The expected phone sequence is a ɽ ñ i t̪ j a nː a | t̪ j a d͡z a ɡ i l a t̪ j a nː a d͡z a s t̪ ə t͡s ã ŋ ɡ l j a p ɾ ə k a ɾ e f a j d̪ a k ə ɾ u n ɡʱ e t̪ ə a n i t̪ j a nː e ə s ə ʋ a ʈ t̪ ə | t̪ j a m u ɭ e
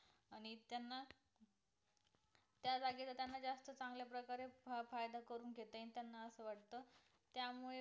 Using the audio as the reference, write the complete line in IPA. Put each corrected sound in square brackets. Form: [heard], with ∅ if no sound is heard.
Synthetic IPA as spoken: a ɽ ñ i t̪ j a nː a | t̪ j a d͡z a ɡ i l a t̪ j a nː a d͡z a s t̪ ə t͡s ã ŋ ɡ l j a p ɾ ə k a ɾ e f a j d̪ a k ə ɾ [uː] n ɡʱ e t̪ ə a n i t̪ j a nː [a] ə s ə ʋ a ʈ t̪ ə | t̪ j a m u ɭ e